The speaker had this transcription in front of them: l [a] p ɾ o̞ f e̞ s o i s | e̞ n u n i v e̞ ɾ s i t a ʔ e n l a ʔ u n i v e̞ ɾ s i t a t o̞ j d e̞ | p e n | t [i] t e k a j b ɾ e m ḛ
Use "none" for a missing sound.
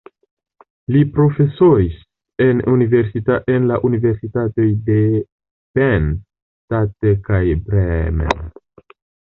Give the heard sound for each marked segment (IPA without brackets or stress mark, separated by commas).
i, a